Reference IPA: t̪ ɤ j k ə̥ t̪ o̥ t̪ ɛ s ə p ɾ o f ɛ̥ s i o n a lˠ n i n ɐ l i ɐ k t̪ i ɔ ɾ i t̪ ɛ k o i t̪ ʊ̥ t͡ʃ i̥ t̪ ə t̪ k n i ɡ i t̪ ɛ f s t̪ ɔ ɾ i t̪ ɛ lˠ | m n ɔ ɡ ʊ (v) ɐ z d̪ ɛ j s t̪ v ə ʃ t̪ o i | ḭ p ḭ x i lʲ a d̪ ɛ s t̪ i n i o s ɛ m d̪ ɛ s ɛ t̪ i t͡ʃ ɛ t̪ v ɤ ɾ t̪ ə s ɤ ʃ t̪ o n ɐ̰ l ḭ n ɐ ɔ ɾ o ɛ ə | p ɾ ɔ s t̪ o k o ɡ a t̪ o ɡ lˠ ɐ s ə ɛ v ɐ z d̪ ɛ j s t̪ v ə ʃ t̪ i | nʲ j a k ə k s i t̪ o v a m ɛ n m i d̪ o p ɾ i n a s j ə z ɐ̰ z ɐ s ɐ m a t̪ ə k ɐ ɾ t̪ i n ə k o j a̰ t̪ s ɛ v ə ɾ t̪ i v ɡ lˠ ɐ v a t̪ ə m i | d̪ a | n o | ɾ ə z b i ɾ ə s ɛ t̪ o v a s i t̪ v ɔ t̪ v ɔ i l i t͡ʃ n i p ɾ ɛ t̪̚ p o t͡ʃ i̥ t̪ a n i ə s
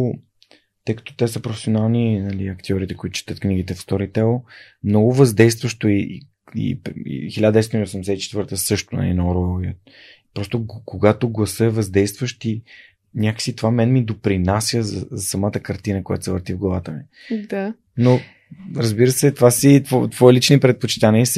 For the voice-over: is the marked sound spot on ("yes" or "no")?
yes